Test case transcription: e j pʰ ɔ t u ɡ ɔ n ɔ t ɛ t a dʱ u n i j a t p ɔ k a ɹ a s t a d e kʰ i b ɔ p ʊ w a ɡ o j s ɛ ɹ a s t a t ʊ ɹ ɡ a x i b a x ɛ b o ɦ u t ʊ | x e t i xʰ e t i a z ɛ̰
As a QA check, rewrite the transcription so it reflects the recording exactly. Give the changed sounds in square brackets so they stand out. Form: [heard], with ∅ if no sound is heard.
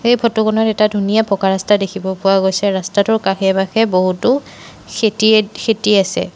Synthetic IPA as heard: e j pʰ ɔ t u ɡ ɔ n ɔ t ɛ t a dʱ u n i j a [∅] p ɔ k a ɹ a s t a d e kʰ i b ɔ p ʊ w a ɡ o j s ɛ ɹ a s t a t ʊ ɹ [k] a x [ɛ] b a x ɛ b o ɦ u t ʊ | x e t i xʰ e t i a [s] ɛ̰